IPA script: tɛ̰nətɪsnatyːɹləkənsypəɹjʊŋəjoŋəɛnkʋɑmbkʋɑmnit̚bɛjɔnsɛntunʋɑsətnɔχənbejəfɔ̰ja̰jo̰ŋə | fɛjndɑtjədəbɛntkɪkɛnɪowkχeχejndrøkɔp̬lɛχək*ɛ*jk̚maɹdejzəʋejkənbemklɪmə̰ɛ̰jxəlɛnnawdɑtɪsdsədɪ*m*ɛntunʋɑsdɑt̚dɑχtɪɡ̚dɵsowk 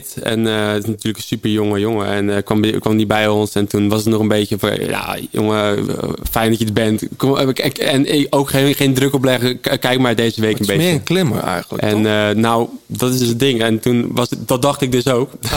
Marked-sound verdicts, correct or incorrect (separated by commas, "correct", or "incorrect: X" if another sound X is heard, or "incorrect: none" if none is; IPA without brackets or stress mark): correct, incorrect: ŋ